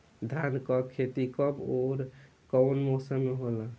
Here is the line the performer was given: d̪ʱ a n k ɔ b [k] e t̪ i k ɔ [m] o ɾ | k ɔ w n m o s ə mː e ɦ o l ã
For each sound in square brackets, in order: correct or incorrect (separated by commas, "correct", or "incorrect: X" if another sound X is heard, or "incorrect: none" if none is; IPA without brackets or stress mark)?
incorrect: kʰ, incorrect: b